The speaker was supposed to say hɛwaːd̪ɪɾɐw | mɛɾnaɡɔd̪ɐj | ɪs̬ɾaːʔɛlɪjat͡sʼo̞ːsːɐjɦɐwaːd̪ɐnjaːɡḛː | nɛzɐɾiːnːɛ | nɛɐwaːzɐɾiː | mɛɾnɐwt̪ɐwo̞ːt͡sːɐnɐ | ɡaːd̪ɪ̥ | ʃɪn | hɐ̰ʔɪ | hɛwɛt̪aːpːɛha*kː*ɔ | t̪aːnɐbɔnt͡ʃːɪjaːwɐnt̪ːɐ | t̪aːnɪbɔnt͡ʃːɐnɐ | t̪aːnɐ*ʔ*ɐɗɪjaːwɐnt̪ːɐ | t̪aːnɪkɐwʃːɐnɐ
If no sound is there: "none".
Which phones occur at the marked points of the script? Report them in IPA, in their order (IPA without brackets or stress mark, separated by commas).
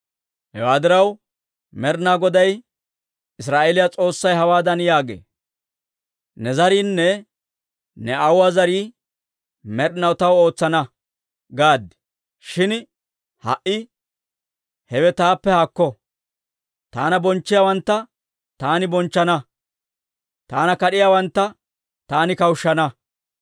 kː, k